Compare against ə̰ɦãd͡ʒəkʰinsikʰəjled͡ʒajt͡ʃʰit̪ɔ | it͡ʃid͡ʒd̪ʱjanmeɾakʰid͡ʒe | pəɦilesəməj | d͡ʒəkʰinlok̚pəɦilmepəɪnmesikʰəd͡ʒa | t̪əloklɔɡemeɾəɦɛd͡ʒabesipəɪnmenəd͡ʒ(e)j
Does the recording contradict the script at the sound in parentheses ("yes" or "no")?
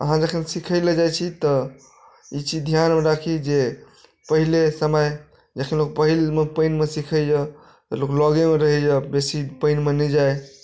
yes